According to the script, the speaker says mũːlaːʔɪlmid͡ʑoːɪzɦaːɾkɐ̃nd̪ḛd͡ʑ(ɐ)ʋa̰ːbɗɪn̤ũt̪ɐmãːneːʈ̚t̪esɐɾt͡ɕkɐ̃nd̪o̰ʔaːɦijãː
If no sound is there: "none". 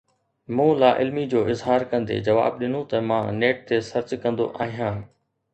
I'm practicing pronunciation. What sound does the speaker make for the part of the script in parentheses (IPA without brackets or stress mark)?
ɐ